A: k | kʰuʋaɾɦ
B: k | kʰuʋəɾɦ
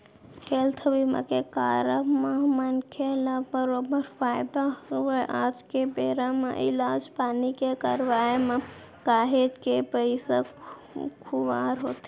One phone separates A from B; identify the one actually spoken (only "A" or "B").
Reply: A